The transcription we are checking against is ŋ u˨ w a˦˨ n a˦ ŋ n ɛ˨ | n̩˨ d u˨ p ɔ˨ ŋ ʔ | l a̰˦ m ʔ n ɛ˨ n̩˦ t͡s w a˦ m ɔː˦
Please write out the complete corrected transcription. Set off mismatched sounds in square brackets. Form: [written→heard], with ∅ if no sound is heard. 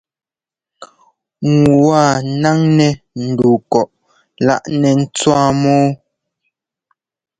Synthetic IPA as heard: ŋ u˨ w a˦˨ n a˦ ŋ n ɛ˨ | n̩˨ d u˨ [p→k] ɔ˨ [ŋ→∅] ʔ | l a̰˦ [m→∅] ʔ n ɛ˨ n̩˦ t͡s w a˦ m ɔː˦